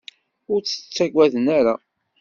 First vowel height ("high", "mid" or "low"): high